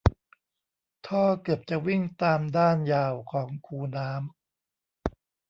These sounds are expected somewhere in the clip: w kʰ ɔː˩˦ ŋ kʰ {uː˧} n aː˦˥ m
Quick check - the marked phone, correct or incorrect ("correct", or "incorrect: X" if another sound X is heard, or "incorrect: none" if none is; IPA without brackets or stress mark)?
correct